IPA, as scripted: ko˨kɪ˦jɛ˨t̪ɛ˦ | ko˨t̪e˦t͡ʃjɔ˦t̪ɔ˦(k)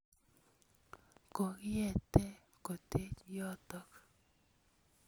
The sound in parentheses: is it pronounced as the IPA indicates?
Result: yes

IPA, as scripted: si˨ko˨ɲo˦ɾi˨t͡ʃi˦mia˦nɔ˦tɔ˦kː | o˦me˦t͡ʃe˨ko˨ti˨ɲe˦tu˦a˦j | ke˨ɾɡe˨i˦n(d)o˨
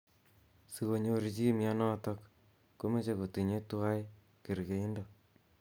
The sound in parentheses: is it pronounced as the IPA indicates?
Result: yes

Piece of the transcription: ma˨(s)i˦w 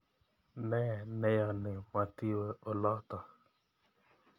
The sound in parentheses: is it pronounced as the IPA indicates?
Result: no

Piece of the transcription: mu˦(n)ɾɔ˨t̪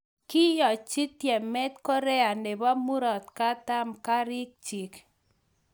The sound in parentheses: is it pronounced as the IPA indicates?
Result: no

